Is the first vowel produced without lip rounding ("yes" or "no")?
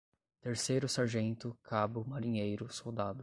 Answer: yes